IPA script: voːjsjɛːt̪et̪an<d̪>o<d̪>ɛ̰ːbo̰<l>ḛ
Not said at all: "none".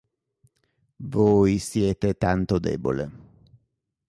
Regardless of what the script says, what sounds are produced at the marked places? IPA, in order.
t̪, d̪, l

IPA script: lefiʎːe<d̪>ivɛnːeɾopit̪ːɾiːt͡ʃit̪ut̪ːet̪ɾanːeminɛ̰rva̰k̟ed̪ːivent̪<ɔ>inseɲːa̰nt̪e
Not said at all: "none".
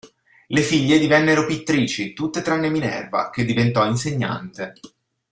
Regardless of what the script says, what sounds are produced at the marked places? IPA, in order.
d̪, ɔ

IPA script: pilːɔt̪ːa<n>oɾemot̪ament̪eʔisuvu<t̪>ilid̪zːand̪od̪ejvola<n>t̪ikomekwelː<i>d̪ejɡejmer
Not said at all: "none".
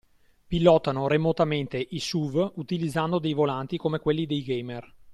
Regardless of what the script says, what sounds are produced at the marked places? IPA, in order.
n, t̪, n, i

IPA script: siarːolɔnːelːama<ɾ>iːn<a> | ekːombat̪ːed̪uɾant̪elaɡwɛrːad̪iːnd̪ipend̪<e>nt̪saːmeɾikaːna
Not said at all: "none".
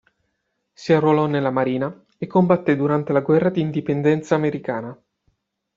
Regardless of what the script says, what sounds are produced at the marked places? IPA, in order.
ɾ, a, ɛ

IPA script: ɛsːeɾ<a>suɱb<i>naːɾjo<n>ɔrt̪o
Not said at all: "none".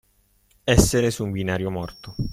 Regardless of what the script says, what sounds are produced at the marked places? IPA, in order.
e, i, m

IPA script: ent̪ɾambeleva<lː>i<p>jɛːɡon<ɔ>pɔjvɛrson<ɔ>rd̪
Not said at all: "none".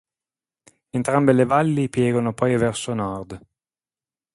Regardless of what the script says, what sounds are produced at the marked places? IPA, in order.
lː, p, o, ɔ

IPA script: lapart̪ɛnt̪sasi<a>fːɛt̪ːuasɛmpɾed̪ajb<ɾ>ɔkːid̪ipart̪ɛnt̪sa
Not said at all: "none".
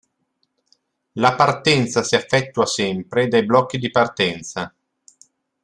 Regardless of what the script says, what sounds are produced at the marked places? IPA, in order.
a, l

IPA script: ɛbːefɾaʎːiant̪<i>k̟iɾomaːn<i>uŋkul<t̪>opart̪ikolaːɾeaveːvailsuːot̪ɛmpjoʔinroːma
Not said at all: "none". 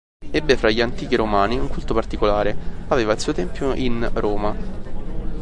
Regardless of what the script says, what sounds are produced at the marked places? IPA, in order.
iː, i, t̪

